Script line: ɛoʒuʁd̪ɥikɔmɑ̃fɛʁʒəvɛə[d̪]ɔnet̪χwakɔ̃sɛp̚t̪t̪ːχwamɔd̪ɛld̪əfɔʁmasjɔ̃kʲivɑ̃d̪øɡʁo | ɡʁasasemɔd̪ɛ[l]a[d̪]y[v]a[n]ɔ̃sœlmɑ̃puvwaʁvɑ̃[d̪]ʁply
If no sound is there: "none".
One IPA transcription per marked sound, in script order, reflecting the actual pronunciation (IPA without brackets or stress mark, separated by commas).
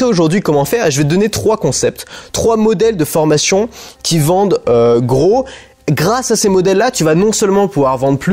d̪, lː, t̪, v, n, d̪